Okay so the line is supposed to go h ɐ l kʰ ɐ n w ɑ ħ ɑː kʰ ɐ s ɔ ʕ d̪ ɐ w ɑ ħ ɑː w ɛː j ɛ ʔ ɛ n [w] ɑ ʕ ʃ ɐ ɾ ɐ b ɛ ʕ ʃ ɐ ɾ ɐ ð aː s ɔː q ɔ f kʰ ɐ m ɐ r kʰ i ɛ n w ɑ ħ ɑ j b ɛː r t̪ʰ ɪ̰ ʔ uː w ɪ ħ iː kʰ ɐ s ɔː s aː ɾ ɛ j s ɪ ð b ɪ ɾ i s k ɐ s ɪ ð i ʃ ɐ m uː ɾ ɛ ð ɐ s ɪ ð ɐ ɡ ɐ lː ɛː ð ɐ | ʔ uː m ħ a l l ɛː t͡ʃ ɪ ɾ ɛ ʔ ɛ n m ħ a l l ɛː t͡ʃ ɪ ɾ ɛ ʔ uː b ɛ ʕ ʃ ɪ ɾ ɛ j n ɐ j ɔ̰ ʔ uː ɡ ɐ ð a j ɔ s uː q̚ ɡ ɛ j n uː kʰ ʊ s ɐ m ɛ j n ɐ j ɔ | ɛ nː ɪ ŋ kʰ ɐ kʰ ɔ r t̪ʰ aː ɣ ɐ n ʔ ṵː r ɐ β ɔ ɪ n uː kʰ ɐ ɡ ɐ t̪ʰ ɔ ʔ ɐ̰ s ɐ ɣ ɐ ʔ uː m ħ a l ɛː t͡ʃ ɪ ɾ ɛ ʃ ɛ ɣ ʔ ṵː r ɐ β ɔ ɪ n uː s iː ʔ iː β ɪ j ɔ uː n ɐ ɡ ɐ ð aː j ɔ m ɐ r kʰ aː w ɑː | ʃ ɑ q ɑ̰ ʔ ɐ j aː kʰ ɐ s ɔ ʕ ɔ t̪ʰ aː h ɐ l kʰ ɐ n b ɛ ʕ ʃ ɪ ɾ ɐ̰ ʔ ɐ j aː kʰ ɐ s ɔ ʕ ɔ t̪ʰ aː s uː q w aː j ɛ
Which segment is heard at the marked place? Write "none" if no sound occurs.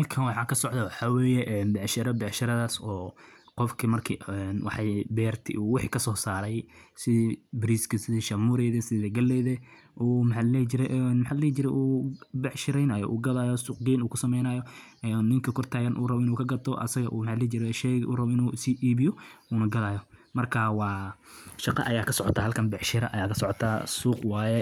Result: b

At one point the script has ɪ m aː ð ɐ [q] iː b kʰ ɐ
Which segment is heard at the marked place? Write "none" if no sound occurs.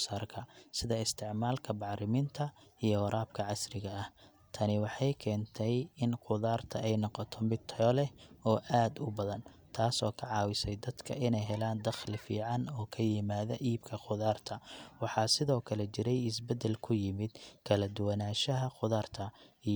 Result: ʔ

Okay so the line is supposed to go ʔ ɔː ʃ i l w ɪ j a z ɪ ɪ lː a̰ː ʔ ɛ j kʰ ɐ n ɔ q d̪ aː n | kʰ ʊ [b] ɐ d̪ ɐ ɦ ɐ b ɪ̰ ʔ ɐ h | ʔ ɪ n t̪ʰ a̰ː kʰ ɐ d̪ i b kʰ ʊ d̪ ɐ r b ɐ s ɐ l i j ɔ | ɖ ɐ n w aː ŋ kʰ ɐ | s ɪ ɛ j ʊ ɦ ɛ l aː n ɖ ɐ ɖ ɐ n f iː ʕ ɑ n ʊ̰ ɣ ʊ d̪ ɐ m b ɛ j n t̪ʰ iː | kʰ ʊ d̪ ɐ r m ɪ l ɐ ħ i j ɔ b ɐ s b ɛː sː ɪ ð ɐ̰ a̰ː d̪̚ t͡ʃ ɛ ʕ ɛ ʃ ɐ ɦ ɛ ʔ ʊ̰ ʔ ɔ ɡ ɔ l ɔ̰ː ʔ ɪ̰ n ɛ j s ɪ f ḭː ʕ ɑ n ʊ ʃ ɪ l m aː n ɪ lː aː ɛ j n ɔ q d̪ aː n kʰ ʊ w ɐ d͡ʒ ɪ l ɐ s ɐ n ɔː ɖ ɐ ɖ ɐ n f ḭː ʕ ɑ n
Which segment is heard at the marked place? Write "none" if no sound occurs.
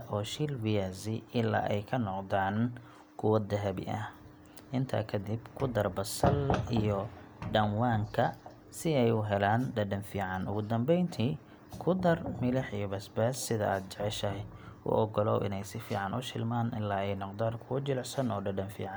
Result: w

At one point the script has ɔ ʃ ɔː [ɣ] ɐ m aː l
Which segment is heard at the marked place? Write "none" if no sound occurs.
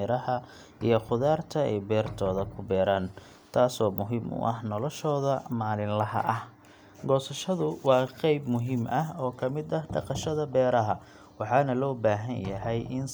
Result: ð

